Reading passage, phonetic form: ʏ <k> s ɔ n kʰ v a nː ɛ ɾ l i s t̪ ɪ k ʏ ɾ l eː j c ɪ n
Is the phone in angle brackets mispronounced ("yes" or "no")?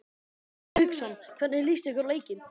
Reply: no